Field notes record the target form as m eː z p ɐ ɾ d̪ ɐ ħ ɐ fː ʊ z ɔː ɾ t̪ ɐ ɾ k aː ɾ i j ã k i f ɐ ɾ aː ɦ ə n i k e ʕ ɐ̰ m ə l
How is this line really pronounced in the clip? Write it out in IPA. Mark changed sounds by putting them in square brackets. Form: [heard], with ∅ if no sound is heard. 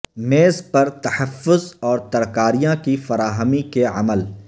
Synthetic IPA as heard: m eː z p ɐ ɾ [t̪] ɐ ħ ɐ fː ʊ z ɔː ɾ t̪ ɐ ɾ k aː ɾ i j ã k i f ɐ ɾ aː ɦ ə [m] i k e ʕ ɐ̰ m ə l